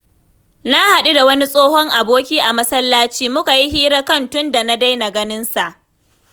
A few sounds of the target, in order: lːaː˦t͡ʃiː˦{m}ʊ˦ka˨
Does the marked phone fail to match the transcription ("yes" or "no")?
no